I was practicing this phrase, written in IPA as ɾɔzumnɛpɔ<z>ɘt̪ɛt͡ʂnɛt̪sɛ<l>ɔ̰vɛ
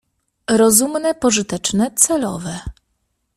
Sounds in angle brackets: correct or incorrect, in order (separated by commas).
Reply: incorrect, correct